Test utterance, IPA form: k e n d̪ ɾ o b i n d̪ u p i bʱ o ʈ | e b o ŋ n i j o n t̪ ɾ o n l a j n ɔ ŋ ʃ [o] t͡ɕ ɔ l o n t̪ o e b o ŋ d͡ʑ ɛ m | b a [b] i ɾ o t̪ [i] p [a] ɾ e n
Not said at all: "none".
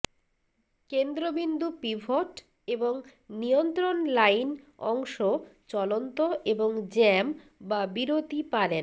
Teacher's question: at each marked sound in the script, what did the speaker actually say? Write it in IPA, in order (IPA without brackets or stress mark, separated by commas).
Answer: o, b, i, a